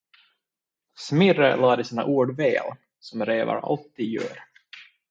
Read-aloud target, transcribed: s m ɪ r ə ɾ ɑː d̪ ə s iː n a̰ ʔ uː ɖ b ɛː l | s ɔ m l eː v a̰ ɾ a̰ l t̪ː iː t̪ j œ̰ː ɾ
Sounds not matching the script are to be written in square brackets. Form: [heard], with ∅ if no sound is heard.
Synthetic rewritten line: s m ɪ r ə [l] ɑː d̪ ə s iː n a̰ ʔ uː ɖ [v] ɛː l | s ɔ m [ɾ] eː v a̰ ɾ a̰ l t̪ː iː [d̪] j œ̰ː ɾ